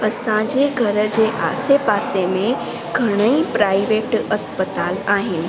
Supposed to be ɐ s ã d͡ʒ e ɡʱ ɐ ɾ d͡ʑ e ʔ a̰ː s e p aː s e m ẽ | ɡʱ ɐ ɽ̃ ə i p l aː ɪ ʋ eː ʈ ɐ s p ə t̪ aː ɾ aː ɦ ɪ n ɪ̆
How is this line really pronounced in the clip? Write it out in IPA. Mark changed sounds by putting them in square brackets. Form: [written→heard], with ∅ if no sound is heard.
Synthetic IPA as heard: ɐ s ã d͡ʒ e ɡʱ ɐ ɾ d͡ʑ e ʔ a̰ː s e p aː s e m ẽ | ɡʱ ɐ ɽ̃ ə i p [l→ɾ] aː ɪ ʋ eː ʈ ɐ s p ə t̪ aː [ɾ→l] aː ɦ ɪ n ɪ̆